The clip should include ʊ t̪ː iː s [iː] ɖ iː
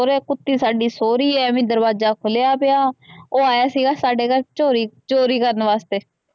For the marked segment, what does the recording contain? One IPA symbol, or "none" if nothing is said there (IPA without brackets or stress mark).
aː